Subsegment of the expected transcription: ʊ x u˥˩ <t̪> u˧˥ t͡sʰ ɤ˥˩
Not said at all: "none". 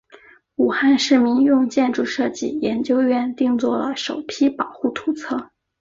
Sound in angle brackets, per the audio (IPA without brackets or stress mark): t̪ʰ